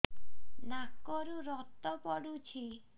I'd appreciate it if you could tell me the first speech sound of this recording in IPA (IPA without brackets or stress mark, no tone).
n